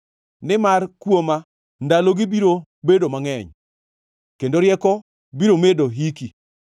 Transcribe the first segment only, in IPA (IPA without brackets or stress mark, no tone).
n